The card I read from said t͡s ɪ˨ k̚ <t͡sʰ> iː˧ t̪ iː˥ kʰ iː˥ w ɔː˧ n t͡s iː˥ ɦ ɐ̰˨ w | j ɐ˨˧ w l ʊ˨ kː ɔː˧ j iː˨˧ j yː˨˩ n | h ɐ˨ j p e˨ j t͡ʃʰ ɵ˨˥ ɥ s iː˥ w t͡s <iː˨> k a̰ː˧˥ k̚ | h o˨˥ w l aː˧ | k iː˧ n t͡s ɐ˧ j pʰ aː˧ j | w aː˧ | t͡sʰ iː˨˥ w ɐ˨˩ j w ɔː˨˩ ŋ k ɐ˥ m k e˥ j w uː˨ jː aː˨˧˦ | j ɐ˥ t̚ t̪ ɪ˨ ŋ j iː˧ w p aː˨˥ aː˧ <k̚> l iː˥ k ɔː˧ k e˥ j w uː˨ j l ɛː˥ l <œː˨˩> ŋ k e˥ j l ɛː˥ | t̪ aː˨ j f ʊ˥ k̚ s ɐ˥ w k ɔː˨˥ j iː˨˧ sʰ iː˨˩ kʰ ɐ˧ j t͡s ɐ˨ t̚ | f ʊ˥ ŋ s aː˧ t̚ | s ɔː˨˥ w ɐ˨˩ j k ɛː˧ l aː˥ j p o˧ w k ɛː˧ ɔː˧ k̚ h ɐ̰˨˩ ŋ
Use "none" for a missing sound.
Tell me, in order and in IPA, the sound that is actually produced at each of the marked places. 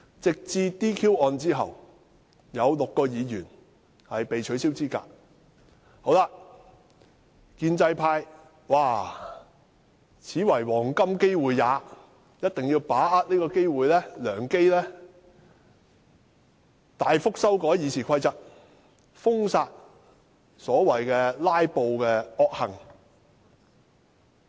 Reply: t͡s, iː˥, t̚, œː˨˩

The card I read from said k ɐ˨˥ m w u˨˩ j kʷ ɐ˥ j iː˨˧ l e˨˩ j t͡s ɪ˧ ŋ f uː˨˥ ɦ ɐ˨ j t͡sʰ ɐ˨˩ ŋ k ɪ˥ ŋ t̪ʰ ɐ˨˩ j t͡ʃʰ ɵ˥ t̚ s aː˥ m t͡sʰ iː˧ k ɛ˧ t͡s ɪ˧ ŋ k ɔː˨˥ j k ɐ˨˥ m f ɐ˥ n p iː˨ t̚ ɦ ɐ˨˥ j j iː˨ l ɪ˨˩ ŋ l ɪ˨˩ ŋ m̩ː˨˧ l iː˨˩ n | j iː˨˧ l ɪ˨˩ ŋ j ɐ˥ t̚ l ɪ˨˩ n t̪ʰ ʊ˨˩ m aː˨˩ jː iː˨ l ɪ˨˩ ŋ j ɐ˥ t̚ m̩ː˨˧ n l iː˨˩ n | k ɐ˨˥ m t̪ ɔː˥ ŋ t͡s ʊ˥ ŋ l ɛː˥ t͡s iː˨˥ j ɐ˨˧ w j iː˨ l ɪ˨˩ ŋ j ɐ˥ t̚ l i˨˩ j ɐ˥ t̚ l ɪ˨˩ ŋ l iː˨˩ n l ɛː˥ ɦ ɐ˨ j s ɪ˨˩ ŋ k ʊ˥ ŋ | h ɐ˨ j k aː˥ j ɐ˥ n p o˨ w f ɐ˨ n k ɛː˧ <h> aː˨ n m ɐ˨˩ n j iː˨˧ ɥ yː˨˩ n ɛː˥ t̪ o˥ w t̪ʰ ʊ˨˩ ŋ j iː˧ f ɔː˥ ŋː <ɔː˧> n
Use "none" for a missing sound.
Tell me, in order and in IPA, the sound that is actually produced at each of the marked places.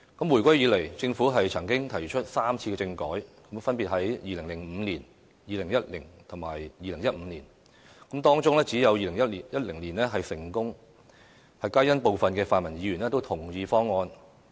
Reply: f, ɔː˧

